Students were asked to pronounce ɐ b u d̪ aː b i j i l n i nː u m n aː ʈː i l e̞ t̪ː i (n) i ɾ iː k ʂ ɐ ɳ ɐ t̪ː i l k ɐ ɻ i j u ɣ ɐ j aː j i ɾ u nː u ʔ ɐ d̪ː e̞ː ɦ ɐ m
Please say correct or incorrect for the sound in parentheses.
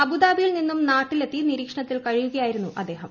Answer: correct